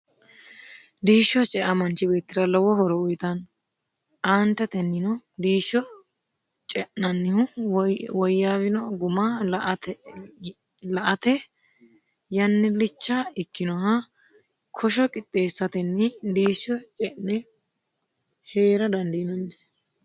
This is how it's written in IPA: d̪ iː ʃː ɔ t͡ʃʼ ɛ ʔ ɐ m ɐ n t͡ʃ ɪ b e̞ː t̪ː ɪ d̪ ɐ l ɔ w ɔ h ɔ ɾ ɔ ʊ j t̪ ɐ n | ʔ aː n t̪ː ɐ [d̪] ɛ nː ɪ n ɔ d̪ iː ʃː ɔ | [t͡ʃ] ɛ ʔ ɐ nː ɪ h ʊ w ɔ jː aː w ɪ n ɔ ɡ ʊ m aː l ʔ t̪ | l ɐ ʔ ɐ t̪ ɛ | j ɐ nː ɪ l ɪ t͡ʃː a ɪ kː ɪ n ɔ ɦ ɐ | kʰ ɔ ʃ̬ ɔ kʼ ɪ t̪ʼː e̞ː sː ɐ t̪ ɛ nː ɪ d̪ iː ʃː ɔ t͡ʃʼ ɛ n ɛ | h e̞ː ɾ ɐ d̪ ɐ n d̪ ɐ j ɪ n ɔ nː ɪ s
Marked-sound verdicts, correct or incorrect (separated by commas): incorrect, incorrect